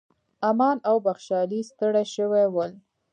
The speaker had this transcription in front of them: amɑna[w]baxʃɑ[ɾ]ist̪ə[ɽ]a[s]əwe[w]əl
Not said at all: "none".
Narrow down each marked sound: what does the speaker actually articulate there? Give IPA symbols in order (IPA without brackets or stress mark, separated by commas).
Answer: w, l, ɽ, ʃ, w